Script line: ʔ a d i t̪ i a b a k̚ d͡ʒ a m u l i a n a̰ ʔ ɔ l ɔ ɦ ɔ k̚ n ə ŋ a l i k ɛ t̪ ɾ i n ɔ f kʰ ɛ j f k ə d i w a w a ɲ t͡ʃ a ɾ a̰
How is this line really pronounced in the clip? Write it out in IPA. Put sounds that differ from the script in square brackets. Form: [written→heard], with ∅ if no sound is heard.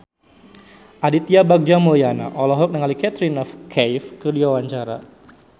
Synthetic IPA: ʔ a d i t̪ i a b a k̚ d͡ʒ a m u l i a n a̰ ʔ ɔ l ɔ ɦ ɔ k̚ n ə ŋ a l i k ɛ t̪ ɾ i n ɔ f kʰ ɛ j f k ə d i w a w a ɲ t͡ʃ a ɾ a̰